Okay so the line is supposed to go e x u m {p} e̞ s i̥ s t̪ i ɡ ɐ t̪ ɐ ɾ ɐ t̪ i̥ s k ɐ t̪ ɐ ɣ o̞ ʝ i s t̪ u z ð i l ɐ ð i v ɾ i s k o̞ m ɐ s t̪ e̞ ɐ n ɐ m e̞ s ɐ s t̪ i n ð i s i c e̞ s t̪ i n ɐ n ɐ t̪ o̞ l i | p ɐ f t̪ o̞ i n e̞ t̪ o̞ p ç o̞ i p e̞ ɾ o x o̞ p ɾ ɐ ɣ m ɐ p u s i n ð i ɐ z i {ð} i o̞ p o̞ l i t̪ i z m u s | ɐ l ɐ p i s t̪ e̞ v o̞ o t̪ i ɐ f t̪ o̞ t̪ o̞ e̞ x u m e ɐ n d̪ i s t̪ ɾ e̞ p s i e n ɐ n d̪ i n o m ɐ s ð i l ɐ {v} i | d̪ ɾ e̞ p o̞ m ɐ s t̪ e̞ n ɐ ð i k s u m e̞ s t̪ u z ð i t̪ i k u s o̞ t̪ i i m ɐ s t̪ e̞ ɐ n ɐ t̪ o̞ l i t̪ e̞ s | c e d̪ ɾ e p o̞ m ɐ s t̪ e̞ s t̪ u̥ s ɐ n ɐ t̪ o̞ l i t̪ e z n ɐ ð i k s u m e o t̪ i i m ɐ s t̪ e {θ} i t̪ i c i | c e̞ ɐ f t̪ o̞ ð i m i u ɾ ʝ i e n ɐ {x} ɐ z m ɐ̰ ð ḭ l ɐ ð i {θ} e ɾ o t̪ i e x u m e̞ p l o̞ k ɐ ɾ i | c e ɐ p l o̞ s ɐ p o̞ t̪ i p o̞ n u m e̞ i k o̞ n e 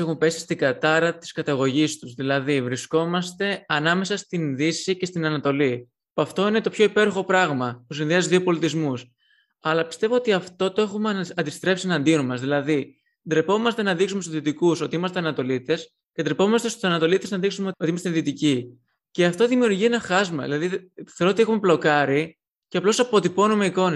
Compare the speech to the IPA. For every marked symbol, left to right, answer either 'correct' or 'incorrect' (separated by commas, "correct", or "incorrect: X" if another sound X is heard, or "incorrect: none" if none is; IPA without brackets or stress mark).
correct, correct, incorrect: ð, incorrect: ð, correct, correct